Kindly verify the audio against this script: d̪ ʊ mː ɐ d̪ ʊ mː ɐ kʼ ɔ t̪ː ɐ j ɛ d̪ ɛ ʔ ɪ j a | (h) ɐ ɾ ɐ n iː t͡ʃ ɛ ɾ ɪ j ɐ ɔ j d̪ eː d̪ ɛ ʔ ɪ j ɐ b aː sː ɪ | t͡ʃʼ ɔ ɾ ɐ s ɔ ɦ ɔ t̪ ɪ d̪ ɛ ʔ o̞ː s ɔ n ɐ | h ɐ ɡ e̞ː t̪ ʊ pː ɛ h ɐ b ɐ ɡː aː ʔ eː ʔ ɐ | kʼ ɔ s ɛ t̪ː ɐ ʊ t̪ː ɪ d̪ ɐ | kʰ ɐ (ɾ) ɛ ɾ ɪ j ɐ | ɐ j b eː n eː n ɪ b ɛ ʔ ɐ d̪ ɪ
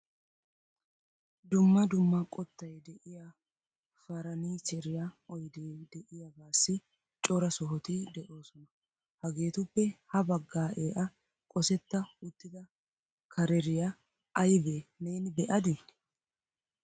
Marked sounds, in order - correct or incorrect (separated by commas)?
incorrect, correct